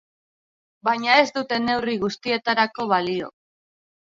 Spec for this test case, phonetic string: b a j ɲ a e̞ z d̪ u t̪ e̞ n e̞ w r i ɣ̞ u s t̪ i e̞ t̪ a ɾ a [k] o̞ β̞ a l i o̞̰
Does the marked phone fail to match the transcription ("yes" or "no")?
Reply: no